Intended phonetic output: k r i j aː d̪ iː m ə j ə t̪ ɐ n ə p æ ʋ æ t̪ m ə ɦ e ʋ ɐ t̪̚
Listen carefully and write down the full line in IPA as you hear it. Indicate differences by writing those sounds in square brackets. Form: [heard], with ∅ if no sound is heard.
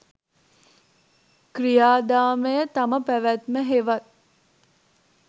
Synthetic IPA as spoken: k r i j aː d̪ [aː] m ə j ə t̪ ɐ [m] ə p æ ʋ æ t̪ m ə ɦ e ʋ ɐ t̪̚